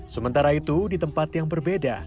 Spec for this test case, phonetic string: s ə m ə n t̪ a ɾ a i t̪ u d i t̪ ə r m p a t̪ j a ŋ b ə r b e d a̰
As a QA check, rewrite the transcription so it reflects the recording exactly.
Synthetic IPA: s ə m ə n t̪ a ɾ a i t̪ u d i t̪ ə m p a t̪ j a ŋ b ə r b e d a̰